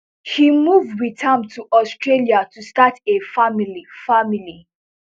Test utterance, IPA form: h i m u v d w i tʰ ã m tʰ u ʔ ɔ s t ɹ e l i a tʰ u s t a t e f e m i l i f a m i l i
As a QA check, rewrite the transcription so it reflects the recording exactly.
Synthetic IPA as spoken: h i m u v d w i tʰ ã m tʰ u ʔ ɔ s t ɹ e l i a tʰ u s t a t e f a m i l i f a m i l i

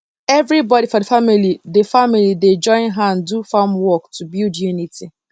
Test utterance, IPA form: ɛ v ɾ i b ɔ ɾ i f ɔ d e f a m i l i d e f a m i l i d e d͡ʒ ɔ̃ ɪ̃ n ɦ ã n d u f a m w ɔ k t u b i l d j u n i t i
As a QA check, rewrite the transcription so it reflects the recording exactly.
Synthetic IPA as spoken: ɛ v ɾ i b ɔ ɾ i f ɔ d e f a m i l i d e f a m i l i d e d͡ʒ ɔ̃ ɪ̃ n ɦ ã n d u f a m w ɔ k t u b i l d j u n i t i

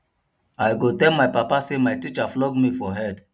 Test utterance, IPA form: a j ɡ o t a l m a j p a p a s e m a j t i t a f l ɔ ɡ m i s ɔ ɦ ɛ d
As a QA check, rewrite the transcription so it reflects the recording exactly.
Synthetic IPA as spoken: a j ɡ o t ɛ l m a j p a p a s e m a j t i t͡ʃ a f l ɔ ɡ m i f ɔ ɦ ɛ d

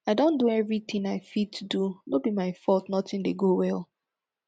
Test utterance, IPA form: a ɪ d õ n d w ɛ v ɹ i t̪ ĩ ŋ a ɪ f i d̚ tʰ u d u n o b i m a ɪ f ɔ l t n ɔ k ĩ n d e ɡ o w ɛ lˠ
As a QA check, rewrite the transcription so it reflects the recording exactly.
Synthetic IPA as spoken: a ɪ d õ n d u ɛ v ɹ i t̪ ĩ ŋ a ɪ f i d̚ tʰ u d u n o b i m a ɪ f ɔ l t n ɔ t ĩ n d e ɡ o w ɛ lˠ

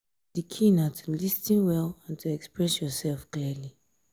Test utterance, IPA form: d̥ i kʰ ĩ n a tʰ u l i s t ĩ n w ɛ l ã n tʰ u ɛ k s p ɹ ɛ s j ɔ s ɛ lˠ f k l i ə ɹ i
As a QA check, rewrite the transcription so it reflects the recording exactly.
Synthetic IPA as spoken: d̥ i kʰ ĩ n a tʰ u l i s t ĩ n w ɛ l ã n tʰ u ɛ k s p ɹ ɛ s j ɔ s ɛ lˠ f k l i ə l i

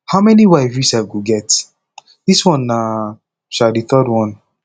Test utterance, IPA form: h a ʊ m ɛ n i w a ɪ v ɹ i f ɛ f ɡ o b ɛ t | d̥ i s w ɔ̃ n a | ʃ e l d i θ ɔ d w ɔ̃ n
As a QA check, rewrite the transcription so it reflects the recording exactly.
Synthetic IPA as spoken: h a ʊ m ɛ n i w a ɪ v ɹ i s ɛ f ɡ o ɡ ɛ t | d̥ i s w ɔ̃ n a | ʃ a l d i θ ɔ d w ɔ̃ n

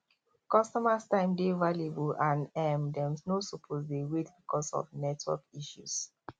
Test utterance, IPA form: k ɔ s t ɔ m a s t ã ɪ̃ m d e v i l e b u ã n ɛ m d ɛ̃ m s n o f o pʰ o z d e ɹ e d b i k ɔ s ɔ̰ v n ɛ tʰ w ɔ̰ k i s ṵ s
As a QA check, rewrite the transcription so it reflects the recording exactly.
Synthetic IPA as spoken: k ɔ s t ɔ m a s t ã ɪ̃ m d e v a l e b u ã n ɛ m d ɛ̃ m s n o s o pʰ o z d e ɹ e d b i k ɔ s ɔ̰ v n ɛ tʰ w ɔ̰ k i ʃ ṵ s

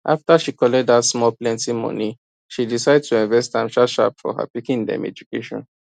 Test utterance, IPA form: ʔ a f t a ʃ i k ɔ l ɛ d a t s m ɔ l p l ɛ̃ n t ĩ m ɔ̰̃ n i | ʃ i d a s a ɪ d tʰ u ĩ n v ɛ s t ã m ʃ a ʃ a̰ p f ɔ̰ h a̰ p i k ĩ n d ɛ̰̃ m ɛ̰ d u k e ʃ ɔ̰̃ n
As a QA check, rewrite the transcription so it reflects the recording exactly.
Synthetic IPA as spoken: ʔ a f t a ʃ i k ɔ l ɛ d a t s m ɔ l p l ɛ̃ n t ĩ m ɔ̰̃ n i | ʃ i d i s a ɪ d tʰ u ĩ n v ɛ s t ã m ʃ a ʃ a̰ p f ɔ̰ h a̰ p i k ĩ n d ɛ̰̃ m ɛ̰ d͡ʒ u k e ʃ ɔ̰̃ n

